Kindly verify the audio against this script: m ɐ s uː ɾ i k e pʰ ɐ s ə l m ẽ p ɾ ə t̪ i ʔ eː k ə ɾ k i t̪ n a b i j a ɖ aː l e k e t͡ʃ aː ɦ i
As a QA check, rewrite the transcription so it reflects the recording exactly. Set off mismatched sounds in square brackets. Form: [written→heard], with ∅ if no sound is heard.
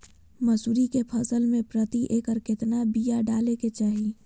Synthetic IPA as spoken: m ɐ s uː ɾ i k e pʰ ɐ s ə l m ẽ p ɾ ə t̪ i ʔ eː k ə ɾ k [i→ɪ] t̪ n a b i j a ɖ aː l e k e t͡ʃ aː ɦ i